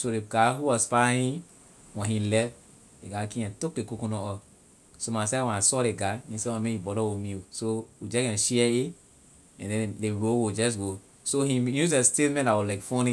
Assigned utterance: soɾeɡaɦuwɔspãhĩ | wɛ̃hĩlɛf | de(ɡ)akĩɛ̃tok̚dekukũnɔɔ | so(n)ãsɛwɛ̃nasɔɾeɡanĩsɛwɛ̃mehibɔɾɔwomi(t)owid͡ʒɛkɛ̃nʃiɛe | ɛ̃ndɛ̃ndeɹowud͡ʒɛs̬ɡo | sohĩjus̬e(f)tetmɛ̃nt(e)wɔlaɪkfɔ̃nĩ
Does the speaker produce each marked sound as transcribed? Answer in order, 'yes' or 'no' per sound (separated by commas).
yes, no, no, no, no